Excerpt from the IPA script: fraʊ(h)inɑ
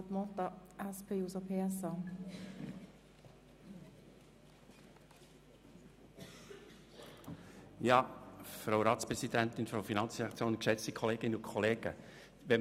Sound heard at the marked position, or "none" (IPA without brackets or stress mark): f